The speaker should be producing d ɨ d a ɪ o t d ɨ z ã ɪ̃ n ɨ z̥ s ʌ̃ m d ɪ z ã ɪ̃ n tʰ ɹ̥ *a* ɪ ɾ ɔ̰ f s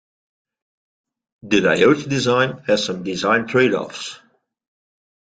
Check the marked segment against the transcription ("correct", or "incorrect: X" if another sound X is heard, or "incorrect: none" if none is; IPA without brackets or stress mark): incorrect: e